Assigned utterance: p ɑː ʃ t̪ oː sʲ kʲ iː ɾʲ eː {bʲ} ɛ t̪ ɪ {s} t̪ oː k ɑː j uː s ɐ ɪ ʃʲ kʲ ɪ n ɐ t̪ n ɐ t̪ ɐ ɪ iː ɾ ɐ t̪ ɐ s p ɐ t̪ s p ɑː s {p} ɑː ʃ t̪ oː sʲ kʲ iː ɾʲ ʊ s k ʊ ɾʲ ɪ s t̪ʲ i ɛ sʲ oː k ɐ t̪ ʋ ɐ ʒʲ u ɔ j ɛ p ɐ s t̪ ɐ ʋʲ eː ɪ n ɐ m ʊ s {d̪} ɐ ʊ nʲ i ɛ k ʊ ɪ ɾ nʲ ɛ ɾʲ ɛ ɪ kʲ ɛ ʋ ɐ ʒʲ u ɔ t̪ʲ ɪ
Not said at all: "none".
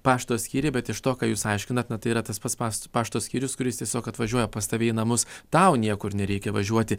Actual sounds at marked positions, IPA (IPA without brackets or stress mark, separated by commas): bʲ, ʃ, p, t̪